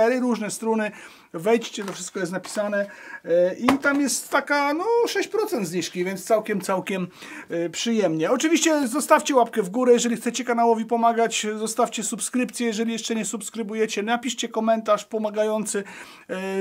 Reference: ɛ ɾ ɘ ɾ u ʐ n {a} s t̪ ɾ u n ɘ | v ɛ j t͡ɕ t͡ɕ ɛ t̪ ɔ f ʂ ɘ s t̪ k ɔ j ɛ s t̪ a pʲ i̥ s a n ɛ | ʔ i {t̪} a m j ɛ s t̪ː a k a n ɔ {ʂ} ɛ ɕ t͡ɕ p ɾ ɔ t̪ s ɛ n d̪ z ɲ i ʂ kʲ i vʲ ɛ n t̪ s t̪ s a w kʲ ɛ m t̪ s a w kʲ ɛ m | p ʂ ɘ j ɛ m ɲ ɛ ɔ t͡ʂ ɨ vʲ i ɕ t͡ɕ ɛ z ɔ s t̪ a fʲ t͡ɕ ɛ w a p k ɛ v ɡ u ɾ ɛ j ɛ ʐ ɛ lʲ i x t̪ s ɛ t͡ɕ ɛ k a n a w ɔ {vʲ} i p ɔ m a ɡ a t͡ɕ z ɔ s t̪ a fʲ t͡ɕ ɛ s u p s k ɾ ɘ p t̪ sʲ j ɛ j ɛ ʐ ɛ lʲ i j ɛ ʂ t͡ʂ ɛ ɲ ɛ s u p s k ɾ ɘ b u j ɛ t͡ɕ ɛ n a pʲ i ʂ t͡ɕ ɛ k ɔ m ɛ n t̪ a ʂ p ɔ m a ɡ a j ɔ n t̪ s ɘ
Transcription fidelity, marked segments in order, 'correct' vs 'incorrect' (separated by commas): incorrect, correct, correct, correct